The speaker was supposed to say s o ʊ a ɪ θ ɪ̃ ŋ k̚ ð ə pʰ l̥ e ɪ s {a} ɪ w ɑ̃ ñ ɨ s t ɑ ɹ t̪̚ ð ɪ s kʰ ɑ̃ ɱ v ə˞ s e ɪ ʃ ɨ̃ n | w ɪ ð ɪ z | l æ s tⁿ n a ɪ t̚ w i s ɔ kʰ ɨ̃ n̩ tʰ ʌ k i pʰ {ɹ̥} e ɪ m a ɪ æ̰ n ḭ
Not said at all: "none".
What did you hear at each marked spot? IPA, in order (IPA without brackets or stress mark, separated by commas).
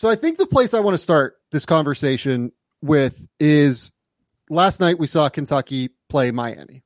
a, l̥